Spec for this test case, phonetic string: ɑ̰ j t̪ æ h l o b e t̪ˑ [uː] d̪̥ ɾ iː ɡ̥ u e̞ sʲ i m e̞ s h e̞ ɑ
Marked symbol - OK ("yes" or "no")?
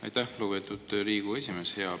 no